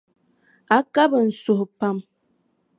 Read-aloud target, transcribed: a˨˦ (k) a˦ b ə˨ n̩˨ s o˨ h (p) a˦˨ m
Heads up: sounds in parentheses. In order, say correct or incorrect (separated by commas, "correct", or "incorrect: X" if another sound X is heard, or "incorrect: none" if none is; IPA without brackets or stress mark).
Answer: correct, correct